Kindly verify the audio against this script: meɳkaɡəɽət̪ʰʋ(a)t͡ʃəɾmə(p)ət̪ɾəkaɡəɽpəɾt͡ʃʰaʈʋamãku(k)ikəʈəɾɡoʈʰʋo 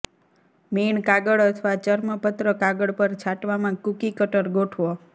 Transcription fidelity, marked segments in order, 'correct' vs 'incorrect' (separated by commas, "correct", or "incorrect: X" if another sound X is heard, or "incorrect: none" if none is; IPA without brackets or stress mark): correct, correct, correct